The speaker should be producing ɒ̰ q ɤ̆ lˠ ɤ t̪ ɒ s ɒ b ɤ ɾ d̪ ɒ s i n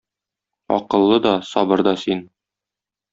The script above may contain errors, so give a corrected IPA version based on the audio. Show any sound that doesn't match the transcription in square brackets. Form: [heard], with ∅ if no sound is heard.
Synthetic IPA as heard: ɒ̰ q ɤ̆ [lˠː] ɤ [d̪] ɒ s ɒ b ɤ ɾ d̪ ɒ s i n